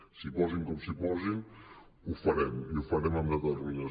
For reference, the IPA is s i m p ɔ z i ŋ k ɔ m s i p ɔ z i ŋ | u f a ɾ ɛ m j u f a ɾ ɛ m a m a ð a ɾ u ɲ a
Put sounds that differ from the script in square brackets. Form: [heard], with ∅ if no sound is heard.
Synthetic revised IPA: s i [∅] p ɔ z i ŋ k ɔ m s i p ɔ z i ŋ | u f a ɾ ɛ m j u f a ɾ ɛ m a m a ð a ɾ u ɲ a